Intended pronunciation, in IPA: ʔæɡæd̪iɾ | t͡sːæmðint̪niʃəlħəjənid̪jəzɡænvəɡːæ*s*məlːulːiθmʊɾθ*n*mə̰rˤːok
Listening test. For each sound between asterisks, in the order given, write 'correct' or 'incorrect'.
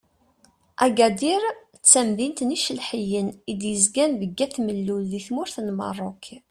incorrect, correct

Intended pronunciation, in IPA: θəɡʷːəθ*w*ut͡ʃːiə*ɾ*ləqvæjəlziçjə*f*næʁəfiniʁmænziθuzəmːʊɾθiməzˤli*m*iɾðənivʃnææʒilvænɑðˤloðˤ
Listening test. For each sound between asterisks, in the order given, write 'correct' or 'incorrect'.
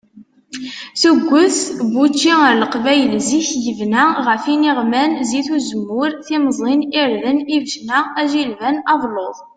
incorrect, correct, incorrect, incorrect

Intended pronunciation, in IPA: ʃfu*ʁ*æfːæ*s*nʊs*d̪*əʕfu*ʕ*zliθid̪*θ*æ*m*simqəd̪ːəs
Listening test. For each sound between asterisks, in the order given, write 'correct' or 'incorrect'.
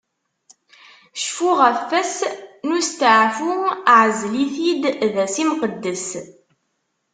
correct, correct, incorrect, correct, incorrect, incorrect

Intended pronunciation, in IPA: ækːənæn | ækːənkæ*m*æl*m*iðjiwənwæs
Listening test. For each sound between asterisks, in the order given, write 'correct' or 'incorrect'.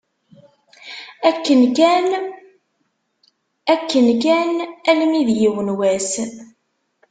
incorrect, correct

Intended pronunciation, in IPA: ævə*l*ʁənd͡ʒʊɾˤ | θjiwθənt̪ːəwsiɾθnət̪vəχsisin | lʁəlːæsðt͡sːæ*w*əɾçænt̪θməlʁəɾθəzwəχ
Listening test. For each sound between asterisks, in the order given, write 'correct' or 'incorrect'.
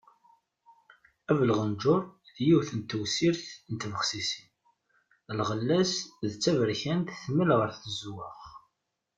correct, incorrect

